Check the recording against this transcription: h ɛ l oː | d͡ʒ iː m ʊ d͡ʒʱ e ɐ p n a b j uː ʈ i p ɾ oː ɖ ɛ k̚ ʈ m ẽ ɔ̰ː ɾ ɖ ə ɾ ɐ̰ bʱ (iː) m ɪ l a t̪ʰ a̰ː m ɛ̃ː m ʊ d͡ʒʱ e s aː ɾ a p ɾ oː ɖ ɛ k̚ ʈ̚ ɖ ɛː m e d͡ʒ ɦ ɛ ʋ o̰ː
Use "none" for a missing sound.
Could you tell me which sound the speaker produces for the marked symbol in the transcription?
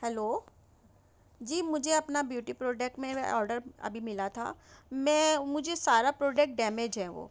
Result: i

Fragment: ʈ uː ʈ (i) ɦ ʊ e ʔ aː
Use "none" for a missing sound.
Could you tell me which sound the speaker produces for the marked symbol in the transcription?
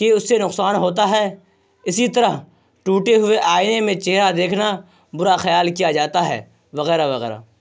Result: e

